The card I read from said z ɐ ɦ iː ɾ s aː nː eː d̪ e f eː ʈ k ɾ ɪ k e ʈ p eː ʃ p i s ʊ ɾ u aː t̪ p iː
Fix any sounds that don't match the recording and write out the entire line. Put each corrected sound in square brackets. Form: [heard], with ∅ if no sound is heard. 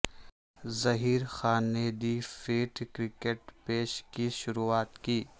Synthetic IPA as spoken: z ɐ ɦ iː ɾ [x] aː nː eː d̪ [i] f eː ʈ k ɾ ɪ k e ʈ p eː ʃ [k] i [ʃ] ʊ ɾ u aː t̪ [k] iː

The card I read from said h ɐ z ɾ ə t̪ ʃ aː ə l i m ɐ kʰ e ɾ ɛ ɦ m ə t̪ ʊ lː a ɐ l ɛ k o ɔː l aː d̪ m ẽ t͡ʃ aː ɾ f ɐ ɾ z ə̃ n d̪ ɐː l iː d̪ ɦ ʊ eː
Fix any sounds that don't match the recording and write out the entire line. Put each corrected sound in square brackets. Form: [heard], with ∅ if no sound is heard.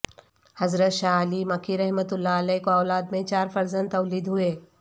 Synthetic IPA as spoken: h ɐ z ɾ ə t̪ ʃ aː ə l i m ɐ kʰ [i] ɾ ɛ ɦ m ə t̪ ʊ lː a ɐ l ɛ k o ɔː l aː d̪ m ẽ t͡ʃ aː ɾ f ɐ ɾ z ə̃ n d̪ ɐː l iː d̪ ɦ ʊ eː

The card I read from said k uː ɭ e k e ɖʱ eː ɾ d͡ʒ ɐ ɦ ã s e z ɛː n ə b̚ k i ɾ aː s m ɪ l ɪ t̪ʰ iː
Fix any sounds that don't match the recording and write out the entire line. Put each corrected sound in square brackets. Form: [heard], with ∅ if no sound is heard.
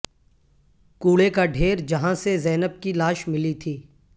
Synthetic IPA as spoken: k uː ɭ e k [a] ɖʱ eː ɾ d͡ʒ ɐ ɦ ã s e z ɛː n ə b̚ k i [l] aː [ʃ] m ɪ l [i] t̪ʰ iː

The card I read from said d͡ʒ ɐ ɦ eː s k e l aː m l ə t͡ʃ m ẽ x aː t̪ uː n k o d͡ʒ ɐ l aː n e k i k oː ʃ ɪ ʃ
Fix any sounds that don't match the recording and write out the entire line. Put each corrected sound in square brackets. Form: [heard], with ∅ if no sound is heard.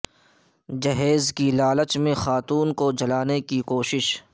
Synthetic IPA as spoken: d͡ʒ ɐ ɦ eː [z] k [i] l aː [∅] l ə t͡ʃ m ẽ x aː t̪ uː n k o d͡ʒ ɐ l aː n e k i k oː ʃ ɪ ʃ

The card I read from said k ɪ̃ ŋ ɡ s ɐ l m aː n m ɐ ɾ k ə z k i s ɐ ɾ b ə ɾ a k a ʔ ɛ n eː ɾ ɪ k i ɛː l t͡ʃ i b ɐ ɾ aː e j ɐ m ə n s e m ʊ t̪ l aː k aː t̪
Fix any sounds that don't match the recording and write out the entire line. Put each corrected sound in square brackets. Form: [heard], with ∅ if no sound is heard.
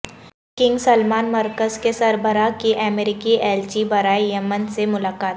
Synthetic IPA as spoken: k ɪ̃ ŋ ɡ s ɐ l m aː n m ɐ ɾ k ə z k [e] s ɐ ɾ b ə ɾ a k [i] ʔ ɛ [m] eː ɾ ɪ k i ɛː l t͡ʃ i b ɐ ɾ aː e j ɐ m ə n s e m ʊ [∅] l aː k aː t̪

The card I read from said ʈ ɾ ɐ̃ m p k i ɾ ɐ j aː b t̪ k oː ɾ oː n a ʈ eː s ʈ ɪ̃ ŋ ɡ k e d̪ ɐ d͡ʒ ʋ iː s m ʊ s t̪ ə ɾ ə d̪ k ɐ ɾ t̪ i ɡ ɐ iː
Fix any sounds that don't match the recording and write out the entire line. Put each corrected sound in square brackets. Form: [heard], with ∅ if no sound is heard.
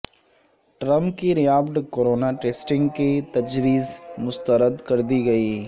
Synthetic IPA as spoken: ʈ ɾ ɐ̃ m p k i ɾ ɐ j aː b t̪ k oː ɾ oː n a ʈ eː s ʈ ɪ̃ ŋ ɡ k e [t̪] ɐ d͡ʒ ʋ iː [z] m ʊ s t̪ ə ɾ ə d̪ k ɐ ɾ [d̪] i ɡ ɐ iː

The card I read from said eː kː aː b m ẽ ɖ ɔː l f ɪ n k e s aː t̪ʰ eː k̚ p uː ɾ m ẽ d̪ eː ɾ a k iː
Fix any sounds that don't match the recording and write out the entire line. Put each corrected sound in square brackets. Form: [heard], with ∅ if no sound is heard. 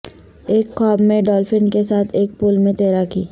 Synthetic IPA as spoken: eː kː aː b m ẽ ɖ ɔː l f ɪ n k e s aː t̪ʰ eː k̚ p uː [l] m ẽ [t̪] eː ɾ a k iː

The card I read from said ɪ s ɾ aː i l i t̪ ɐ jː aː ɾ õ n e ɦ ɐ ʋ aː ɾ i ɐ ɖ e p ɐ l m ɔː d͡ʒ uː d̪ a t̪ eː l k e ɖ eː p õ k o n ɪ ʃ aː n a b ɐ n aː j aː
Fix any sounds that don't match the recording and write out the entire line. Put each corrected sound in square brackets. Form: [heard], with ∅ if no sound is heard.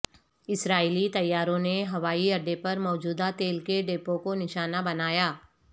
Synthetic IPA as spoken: ɪ s ɾ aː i l i t̪ ɐ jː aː ɾ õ n e ɦ ɐ ʋ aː [∅] i ɐ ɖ e p ɐ [ɾ] m ɔː d͡ʒ uː d̪ a t̪ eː l k e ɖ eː p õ k o n ɪ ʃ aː n a b ɐ n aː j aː

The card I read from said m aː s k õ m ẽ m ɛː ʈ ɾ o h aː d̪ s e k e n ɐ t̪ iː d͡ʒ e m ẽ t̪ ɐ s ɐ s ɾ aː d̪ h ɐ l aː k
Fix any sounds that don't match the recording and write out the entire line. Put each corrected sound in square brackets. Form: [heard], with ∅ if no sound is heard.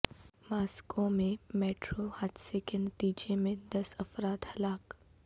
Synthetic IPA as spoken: m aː s k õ m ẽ m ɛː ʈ ɾ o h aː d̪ s e k e n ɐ t̪ iː d͡ʒ e m ẽ [d̪] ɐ s ɐ [f] ɾ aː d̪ h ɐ l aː k

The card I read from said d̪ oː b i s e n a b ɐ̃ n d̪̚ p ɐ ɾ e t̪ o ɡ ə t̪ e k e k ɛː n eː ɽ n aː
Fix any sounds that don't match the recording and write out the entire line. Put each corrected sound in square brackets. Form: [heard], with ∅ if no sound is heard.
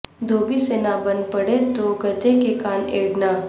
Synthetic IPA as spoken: d̪ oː b i s e n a b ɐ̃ n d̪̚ p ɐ [ɽ] e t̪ o ɡ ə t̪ e k e k [aː] n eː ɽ n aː

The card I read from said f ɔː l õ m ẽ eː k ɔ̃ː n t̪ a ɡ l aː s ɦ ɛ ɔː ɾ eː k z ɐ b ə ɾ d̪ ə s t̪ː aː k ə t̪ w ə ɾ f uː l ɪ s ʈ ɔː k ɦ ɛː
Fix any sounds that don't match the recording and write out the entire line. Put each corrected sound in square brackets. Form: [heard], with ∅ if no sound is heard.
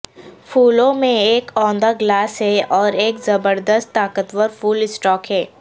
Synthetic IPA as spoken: f [uː] l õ m ẽ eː k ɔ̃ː n [d̪] a ɡ l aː s ɦ ɛ ɔː ɾ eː k z ɐ b ə ɾ d̪ ə s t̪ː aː k ə t̪ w ə ɾ f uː l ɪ s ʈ ɔː k ɦ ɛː

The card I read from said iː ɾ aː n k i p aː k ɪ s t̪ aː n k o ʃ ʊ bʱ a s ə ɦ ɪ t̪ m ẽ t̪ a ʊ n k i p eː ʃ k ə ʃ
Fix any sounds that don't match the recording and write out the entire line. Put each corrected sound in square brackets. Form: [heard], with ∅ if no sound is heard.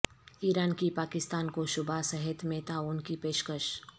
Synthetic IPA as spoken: iː ɾ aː n k i p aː k ɪ s t̪ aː n k o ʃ ʊ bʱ a s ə ɦ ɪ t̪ m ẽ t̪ a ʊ n k i p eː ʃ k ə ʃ

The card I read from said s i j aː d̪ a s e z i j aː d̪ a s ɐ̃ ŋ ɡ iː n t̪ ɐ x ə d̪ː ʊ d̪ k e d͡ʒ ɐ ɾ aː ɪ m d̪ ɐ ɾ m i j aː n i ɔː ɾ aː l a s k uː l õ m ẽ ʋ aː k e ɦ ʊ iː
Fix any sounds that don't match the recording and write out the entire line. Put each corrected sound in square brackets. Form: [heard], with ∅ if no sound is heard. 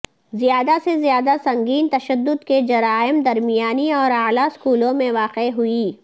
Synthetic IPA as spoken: [z] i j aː d̪ a s e z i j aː d̪ a s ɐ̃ ŋ ɡ iː n t̪ ɐ [ʃ] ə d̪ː ʊ d̪ k e d͡ʒ ɐ ɾ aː ɪ m d̪ ɐ ɾ m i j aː n i ɔː ɾ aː l a s k uː l õ m ẽ ʋ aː [q] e ɦ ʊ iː

